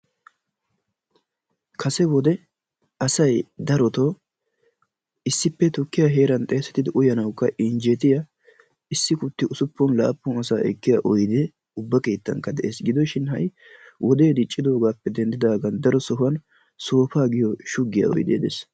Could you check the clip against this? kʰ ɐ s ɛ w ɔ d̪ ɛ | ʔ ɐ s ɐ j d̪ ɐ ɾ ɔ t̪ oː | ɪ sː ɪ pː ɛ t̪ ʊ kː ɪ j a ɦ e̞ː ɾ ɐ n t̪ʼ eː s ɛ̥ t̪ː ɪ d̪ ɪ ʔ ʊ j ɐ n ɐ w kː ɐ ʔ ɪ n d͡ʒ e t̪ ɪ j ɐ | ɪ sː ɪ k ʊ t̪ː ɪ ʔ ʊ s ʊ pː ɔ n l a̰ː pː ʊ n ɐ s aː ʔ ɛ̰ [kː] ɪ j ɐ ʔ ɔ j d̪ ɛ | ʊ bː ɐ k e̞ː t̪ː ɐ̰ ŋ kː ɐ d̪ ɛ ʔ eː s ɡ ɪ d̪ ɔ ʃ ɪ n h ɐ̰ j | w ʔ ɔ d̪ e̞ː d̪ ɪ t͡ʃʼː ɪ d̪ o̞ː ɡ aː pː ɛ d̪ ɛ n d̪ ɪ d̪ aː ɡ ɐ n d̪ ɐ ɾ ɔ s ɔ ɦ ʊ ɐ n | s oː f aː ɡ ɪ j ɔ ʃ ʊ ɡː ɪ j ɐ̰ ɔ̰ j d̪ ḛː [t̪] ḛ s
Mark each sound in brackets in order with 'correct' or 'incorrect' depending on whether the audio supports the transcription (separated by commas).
correct, incorrect